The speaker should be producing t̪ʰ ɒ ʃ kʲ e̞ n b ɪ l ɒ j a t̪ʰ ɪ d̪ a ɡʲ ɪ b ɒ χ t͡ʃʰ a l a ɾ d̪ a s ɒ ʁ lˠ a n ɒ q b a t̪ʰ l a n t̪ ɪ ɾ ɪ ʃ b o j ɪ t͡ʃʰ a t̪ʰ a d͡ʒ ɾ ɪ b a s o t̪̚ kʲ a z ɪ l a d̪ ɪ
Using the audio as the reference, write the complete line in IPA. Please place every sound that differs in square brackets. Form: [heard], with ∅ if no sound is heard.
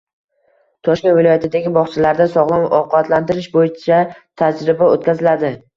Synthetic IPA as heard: t̪ʰ ɒ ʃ kʲ e̞ n [v] ɪ l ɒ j a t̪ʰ ɪ d̪ a ɡʲ ɪ b ɒ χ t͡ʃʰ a l a ɾ d̪ a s ɒ ʁ lˠ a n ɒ q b a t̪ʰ l a n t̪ ɪ ɾ ɪ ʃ b o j ɪ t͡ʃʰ a t̪ʰ a d͡ʒ ɾ ɪ b a [∅] o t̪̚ kʲ a z ɪ l a d̪ ɪ